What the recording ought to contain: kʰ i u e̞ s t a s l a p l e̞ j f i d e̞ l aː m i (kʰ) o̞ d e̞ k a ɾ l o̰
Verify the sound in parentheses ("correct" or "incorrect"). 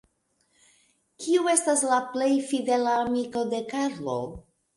incorrect